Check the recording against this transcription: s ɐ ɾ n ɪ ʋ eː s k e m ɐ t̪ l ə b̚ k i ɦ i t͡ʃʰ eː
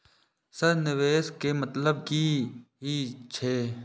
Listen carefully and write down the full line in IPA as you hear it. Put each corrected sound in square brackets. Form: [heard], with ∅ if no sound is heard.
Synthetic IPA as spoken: s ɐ ɾ n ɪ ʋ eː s k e m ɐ t̪ l ə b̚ k i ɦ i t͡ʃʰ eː